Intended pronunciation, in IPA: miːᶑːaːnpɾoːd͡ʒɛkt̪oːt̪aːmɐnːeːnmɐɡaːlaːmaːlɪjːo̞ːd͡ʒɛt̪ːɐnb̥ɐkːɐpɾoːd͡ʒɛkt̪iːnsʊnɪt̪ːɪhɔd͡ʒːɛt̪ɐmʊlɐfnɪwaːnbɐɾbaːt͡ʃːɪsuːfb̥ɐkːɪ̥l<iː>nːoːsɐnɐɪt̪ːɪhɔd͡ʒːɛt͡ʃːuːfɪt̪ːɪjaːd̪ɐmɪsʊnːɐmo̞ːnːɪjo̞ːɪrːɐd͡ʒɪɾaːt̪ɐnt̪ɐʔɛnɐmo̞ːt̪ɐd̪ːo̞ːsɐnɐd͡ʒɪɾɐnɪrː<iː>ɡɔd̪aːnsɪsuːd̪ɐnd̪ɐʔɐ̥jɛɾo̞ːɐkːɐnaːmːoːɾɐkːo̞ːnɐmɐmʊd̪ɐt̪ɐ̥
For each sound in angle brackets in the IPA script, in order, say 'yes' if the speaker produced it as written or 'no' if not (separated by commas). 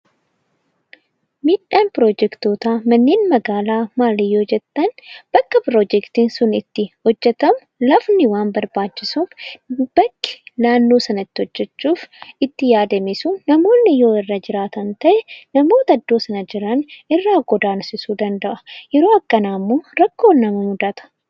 no, no